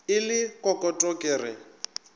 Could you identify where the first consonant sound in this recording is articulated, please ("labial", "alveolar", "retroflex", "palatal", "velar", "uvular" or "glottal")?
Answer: alveolar